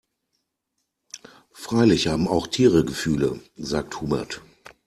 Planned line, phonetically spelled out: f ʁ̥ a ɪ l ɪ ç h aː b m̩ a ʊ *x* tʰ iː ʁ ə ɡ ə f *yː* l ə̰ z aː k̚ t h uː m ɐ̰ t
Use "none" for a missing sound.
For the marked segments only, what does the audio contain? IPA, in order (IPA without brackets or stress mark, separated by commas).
x, yː